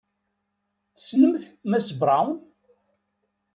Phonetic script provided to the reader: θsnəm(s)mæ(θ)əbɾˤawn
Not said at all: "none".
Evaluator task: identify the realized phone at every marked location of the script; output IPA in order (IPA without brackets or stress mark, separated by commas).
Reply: θ, s